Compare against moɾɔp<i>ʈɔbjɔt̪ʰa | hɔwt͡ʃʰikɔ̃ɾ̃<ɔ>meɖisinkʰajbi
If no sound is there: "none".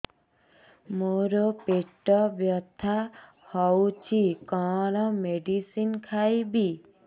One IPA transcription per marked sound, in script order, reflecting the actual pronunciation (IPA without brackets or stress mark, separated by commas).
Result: e, ɔ